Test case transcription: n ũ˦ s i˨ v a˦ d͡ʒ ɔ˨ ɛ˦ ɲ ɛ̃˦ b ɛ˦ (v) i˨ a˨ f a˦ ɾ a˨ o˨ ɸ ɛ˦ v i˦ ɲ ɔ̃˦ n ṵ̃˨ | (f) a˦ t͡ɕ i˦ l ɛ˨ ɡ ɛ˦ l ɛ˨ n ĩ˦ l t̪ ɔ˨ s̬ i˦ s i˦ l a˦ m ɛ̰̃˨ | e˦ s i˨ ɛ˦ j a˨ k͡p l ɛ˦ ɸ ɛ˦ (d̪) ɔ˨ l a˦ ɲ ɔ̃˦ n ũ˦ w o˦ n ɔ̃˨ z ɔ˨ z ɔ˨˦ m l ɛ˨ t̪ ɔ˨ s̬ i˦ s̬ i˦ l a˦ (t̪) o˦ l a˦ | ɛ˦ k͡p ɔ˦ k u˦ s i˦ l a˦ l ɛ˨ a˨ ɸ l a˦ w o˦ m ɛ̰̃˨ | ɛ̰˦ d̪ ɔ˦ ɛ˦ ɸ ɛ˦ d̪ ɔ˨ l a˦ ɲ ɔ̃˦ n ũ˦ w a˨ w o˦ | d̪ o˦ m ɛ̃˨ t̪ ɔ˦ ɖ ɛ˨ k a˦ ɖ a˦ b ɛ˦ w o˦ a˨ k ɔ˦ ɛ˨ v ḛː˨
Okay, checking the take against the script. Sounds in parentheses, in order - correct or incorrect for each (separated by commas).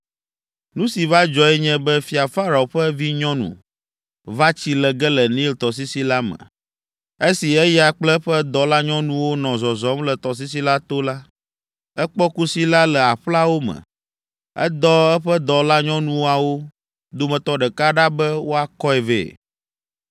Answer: incorrect, incorrect, correct, correct